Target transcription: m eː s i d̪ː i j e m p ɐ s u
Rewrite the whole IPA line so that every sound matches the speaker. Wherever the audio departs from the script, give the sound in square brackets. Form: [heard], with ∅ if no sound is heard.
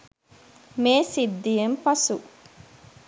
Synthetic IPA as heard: m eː s i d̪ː i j e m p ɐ s u